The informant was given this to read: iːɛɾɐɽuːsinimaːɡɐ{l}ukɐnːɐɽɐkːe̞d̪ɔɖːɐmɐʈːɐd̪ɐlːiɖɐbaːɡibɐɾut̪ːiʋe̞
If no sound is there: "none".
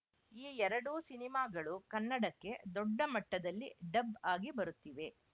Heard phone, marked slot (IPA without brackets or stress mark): ɭ